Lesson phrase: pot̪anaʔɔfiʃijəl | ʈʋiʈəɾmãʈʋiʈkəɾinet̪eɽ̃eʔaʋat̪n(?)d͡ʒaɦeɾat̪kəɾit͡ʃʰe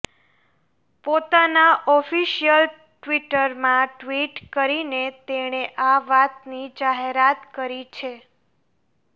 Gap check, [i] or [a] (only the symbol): i